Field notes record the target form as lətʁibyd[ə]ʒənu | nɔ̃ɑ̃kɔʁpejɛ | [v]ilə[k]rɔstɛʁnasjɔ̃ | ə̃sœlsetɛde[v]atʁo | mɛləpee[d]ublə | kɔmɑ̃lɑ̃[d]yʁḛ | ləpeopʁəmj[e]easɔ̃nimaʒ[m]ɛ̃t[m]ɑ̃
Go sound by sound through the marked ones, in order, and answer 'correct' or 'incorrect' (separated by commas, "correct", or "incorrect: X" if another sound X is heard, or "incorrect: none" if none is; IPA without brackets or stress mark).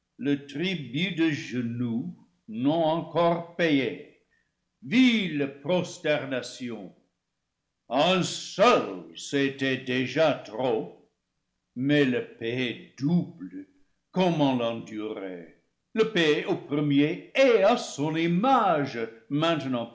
correct, correct, incorrect: p, incorrect: ʒ, correct, correct, correct, correct, incorrect: n